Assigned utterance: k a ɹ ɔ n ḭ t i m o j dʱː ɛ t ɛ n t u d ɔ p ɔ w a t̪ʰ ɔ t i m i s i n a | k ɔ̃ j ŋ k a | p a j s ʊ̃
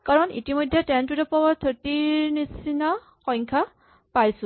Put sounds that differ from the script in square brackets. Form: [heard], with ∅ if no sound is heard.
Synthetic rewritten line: k a ɹ ɔ n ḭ t i m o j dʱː ɛ t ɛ n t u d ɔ p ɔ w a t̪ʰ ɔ t i [n] i s i n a | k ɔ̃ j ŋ [kʰ] a | p a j s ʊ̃